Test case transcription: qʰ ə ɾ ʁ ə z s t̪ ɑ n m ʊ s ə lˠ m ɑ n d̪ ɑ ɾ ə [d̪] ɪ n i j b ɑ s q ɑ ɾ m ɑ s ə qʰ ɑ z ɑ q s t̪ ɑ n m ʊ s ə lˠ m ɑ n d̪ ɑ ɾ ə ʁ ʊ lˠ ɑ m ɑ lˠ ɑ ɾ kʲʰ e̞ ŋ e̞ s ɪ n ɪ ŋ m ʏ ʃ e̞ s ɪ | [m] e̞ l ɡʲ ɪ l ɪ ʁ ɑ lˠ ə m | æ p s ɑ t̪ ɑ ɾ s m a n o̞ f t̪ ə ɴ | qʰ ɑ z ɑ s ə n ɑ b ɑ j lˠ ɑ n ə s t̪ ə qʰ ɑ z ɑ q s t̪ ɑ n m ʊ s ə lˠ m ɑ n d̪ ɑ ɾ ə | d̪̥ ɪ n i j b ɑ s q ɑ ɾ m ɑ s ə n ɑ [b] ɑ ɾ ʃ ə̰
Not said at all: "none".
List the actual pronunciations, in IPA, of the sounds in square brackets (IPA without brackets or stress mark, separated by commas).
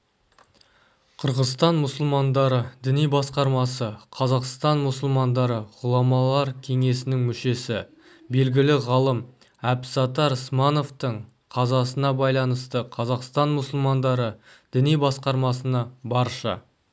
d̪, b, b